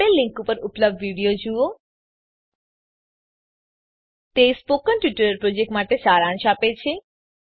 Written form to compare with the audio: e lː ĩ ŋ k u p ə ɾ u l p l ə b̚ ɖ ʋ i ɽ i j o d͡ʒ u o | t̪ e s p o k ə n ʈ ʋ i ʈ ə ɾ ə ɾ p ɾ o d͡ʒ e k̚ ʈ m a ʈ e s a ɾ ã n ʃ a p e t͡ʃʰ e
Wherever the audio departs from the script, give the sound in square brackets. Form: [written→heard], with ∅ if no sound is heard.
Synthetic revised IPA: e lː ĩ ŋ k u p ə ɾ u [l→∅] p l ə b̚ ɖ ʋ i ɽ i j o d͡ʒ u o | t̪ e s p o k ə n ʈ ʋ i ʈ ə ɾ ə ɾ p ɾ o d͡ʒ e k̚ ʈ m a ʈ e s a ɾ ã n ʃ a p e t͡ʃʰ e